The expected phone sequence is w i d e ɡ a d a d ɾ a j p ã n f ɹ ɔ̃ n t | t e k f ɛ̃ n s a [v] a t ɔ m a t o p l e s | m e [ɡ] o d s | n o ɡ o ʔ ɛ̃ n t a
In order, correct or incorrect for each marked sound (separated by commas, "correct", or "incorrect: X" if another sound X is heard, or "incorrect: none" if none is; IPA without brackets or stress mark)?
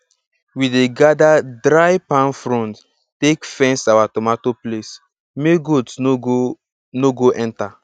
incorrect: w, correct